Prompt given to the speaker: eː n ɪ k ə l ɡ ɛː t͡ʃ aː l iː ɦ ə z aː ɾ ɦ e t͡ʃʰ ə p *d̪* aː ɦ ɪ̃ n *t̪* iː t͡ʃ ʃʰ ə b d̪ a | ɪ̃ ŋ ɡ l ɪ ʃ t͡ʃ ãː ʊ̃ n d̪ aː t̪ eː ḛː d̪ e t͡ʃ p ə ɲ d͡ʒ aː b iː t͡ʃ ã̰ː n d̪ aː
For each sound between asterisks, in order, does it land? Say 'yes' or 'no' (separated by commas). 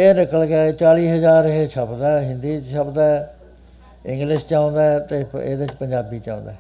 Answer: yes, no